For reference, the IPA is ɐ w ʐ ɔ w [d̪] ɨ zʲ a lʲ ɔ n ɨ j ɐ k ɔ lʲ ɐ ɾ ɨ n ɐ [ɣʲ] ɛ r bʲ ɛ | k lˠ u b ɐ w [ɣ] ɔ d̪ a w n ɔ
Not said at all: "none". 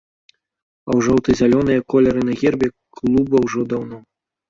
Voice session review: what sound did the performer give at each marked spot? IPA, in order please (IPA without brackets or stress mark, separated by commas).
t̪, ɣʲ, ʐ